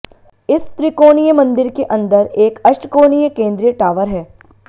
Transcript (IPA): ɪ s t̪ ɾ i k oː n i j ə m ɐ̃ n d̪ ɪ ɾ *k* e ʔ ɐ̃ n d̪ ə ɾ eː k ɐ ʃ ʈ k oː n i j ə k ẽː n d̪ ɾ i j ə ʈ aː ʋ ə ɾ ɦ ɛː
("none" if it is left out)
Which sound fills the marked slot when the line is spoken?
k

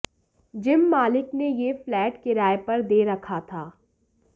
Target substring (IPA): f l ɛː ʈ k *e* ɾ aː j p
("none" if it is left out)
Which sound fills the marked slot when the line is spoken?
e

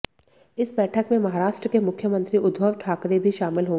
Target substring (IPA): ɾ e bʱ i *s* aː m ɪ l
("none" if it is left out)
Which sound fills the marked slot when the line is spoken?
ʃ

